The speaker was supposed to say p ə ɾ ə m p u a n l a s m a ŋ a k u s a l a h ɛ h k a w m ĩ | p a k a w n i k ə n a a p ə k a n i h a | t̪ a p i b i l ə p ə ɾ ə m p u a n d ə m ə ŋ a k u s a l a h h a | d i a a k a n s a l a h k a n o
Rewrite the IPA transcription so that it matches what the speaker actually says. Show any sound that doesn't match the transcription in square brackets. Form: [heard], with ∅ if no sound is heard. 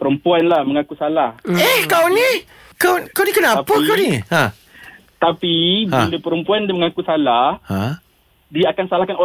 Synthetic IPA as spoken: p ə ɾ ə m p u a n l a [h] m [ə] ŋ a k u s a l a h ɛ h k a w [n] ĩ | [k] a k a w n i k ə n a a p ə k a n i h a | t̪ a p i b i l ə p ə ɾ ə m p u a n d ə m ə ŋ a k u s a l a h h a | d i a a k a n s a l a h k a n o